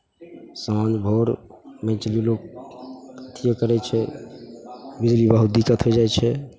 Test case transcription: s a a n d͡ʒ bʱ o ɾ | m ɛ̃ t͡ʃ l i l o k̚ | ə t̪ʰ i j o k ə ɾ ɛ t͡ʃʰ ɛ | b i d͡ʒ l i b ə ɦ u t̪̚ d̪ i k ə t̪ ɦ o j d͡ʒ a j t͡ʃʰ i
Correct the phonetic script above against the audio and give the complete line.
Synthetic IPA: s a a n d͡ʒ bʱ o ɾ | m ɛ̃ t͡ʃ l i l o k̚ | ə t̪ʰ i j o k ə ɾ ɛ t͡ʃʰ ɛ | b i d͡ʒ l i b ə ɦ u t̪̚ d̪ i k ə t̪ ɦ o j d͡ʒ a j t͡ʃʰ ɛ